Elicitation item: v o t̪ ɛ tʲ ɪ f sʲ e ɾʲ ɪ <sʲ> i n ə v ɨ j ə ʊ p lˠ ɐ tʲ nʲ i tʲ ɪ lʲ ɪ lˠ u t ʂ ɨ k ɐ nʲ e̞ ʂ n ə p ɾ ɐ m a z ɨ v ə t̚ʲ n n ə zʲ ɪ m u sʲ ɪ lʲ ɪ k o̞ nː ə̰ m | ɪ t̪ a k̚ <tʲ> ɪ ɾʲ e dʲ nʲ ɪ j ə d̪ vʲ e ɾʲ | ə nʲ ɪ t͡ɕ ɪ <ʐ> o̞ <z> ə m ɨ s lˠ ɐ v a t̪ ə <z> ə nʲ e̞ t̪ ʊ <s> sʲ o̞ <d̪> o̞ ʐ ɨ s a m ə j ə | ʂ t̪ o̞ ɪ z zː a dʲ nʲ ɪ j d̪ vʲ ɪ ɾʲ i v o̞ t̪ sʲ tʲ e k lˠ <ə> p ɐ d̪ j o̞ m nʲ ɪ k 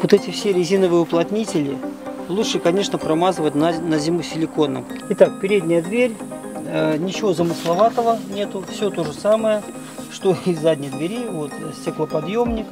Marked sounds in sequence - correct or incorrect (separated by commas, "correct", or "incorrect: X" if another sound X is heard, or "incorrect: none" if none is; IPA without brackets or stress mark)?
incorrect: zʲ, incorrect: pʲ, incorrect: v, correct, incorrect: v, incorrect: f, incorrect: t̪, correct